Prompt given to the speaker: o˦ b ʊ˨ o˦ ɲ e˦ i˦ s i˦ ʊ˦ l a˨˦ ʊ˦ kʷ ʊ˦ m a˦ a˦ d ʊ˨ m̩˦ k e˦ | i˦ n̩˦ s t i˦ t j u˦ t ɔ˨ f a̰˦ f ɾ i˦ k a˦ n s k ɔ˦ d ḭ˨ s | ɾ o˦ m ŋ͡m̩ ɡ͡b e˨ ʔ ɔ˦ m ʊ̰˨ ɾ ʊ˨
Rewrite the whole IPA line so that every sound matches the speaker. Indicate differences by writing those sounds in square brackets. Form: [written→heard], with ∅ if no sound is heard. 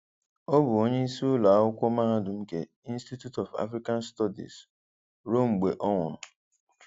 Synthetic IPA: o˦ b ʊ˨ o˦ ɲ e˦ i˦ s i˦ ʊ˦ l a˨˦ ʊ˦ kʷ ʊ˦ m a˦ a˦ d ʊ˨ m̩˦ k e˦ | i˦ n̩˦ s t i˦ t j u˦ t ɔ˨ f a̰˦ f ɾ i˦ k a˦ n s [k→t] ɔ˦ d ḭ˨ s | ɾ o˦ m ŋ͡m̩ ɡ͡b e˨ ʔ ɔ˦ [m→ŋ] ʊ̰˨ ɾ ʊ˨